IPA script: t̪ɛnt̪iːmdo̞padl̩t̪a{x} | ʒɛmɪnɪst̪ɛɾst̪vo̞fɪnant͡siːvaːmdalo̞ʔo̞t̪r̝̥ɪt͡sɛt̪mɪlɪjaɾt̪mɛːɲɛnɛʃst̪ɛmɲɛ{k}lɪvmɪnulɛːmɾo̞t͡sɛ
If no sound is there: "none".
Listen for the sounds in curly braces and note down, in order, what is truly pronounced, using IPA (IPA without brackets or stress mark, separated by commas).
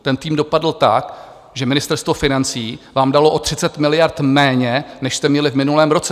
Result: k, none